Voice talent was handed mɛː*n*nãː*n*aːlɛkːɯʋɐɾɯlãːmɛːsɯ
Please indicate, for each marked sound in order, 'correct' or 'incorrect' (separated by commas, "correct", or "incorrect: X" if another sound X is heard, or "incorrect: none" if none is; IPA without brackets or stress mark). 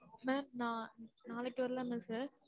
incorrect: m, correct